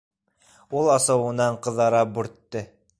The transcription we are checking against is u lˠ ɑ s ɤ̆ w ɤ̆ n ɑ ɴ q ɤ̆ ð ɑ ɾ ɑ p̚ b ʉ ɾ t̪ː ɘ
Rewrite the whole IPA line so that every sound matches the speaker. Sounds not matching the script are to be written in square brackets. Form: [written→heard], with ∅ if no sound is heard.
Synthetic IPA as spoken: u lˠ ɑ s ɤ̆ w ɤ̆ n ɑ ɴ q ɤ̆ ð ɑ ɾ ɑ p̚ b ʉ ɾ t̪ː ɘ